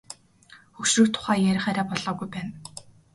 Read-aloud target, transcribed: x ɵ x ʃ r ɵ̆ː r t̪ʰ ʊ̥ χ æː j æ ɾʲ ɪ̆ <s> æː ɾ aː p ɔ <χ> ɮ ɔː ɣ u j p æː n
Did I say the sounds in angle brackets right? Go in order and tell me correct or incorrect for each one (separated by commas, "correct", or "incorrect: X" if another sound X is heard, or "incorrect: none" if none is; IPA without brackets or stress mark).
incorrect: χ, incorrect: none